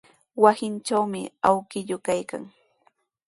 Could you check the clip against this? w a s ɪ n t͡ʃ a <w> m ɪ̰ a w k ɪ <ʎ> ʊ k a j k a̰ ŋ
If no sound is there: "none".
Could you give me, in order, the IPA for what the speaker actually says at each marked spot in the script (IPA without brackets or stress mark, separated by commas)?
w, ʎ